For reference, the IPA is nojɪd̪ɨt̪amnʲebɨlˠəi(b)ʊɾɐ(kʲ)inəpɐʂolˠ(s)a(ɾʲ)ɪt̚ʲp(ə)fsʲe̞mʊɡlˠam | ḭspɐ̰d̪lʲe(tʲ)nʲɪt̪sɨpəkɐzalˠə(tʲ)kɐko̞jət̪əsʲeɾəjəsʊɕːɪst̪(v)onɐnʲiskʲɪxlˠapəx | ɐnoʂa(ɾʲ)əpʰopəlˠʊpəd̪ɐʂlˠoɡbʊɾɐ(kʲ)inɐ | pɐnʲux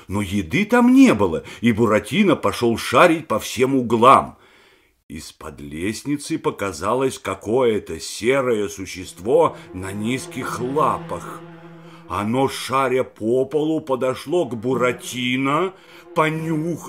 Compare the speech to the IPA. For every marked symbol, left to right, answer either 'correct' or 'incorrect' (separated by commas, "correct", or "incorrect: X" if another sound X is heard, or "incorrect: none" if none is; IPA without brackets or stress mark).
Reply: correct, incorrect: tʲ, incorrect: ʂ, correct, incorrect: ɐ, incorrect: sʲ, incorrect: sʲ, correct, correct, incorrect: tʲ